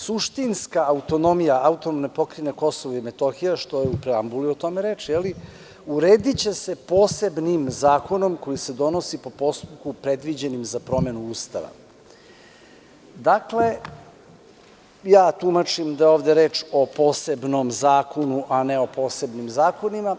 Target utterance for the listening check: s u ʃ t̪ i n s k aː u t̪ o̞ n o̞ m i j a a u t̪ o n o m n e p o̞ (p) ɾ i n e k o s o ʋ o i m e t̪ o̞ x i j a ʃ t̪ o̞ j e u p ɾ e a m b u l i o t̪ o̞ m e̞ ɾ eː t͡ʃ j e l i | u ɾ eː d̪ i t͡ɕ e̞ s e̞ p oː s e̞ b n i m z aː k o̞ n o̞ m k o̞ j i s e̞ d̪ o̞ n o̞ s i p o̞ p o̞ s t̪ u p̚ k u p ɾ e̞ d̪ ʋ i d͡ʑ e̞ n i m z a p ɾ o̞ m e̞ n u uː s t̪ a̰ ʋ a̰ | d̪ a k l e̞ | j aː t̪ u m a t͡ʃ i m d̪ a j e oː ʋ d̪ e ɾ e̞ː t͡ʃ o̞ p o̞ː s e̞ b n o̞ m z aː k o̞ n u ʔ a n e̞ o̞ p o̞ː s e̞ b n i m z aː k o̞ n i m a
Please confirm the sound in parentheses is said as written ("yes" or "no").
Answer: no